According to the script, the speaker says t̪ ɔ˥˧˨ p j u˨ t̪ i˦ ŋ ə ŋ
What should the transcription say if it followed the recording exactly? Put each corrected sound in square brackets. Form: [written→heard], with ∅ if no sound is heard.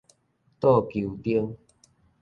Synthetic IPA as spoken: t̪ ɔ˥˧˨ [p→k] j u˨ t̪ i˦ [ŋ→∅] ə ŋ